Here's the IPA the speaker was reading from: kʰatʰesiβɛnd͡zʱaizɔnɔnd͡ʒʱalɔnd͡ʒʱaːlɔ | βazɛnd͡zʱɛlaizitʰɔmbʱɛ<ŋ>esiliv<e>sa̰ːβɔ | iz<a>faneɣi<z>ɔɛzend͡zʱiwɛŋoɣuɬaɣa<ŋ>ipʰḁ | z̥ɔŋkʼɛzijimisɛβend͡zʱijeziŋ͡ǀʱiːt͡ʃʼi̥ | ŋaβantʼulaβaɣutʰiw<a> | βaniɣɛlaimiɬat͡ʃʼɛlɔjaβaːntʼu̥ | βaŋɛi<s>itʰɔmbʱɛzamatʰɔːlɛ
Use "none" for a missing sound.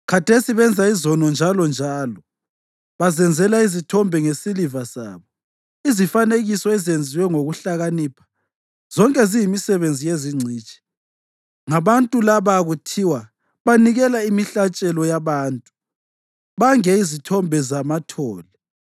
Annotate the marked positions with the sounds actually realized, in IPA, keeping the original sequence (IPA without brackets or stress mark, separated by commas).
ŋ, a, i, s, n, a, z